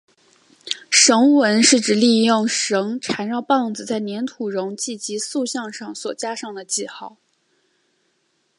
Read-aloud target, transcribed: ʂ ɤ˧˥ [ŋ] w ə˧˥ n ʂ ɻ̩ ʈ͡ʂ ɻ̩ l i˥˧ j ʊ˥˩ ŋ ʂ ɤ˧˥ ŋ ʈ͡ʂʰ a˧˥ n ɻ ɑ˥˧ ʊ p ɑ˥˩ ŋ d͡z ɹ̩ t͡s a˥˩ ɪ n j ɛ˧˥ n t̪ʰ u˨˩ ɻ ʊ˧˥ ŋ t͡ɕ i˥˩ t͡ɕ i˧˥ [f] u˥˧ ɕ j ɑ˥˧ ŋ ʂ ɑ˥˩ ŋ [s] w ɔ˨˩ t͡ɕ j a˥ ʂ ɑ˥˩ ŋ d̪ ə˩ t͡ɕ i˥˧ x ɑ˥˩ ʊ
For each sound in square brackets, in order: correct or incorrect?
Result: correct, incorrect, correct

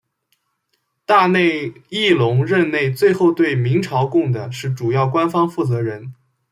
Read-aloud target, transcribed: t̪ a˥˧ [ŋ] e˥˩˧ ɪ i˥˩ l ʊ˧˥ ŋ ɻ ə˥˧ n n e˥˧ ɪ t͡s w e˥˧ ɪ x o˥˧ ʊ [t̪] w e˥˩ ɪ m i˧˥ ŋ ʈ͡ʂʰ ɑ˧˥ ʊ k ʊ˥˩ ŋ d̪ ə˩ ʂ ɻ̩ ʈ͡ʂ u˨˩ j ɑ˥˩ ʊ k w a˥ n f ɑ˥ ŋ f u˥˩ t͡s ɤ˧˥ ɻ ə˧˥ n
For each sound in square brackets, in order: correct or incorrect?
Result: incorrect, correct

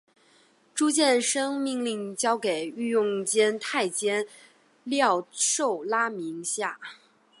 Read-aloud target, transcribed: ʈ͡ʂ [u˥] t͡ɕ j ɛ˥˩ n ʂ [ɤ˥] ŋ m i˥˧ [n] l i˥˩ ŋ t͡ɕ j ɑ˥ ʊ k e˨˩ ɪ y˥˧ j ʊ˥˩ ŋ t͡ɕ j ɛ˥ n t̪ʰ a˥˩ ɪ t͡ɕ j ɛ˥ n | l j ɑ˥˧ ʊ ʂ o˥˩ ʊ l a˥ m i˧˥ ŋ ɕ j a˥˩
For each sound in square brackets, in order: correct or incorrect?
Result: correct, correct, incorrect

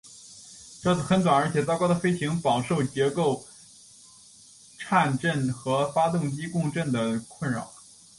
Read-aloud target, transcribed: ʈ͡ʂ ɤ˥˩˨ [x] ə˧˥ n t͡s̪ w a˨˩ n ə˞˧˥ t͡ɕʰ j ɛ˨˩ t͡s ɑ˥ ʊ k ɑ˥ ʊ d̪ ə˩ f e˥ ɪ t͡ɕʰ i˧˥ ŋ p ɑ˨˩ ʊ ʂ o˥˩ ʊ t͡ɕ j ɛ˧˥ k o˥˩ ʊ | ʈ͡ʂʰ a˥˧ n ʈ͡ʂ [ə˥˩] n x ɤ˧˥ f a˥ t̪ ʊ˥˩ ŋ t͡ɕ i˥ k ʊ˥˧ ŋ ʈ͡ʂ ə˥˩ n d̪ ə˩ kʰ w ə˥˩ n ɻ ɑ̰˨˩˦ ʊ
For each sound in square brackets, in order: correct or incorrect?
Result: correct, correct

